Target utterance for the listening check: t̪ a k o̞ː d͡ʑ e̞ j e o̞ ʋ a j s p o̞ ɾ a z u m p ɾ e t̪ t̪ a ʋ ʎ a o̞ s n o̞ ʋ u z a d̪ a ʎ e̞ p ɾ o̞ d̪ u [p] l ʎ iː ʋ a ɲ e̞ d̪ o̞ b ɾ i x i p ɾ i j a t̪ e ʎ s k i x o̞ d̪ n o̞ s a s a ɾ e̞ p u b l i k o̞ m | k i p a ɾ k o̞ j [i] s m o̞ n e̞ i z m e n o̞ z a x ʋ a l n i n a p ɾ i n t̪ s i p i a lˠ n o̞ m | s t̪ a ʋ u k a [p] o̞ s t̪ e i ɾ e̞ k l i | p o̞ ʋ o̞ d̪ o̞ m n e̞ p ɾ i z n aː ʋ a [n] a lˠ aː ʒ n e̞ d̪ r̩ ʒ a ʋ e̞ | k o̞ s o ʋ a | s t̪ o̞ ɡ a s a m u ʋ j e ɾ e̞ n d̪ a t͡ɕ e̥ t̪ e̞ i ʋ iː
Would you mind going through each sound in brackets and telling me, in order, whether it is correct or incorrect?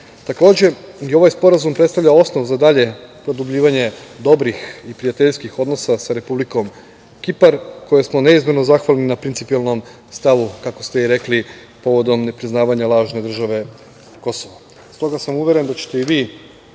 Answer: incorrect: b, incorrect: e, incorrect: k, incorrect: ɲ

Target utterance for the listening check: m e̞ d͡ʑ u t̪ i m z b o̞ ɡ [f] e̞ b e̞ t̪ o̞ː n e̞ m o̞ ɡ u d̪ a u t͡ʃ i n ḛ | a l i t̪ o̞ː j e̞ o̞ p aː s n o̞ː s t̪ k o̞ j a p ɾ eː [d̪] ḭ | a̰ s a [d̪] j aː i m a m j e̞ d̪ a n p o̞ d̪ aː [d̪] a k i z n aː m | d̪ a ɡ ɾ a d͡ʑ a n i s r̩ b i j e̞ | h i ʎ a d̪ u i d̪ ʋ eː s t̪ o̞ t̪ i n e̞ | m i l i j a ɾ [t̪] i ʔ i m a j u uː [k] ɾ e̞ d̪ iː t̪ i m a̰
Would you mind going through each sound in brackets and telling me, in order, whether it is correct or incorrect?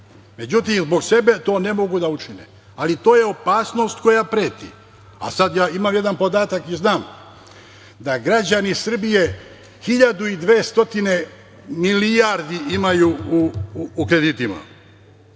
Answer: incorrect: s, incorrect: t̪, correct, incorrect: t̪, incorrect: d̪, correct

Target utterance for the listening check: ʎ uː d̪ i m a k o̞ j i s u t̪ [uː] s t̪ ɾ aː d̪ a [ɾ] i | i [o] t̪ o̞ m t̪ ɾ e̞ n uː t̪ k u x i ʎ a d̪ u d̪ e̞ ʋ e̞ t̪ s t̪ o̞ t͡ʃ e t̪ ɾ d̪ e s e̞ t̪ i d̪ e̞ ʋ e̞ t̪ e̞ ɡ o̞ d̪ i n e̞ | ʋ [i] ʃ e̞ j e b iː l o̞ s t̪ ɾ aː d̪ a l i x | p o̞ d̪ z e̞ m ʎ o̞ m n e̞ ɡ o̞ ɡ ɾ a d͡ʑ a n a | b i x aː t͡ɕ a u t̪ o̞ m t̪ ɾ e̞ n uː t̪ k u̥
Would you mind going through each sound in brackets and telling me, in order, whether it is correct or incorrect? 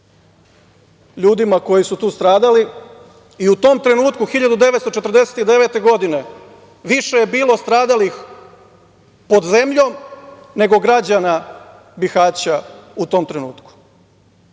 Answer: correct, incorrect: l, incorrect: u, correct

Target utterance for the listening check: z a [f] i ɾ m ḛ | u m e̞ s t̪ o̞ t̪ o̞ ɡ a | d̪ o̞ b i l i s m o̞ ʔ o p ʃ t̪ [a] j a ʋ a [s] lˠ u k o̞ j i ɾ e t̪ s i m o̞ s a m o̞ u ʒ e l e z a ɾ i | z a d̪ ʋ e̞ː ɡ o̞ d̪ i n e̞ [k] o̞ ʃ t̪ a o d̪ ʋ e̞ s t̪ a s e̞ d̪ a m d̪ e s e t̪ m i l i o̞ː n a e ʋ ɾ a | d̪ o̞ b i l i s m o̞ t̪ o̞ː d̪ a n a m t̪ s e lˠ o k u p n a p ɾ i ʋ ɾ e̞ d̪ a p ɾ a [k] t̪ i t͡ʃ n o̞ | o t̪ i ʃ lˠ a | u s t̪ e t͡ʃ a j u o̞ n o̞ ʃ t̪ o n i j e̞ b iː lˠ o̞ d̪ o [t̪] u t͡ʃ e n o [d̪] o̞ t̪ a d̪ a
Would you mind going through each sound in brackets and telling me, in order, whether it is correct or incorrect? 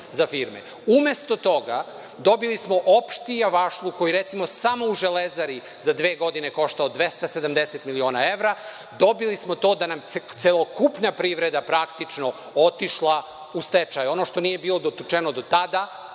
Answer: correct, incorrect: i, incorrect: ʃ, correct, correct, correct, correct

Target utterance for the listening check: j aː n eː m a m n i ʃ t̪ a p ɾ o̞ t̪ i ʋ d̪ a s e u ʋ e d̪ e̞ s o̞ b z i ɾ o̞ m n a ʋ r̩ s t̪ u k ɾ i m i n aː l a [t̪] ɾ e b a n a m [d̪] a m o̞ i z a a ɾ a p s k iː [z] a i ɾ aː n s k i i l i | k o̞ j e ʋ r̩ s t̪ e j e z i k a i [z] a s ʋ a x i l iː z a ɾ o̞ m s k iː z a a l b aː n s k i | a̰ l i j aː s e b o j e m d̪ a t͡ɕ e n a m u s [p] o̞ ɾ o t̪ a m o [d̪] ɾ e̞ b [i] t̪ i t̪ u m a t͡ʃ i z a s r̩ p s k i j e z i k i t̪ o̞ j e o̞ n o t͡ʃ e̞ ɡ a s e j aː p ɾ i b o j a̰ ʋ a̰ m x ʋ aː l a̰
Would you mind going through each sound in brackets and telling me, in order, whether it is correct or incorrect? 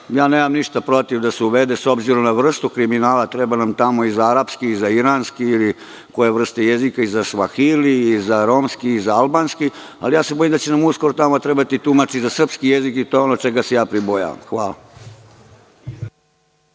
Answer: correct, incorrect: t̪, correct, correct, incorrect: k, incorrect: t̪, incorrect: a

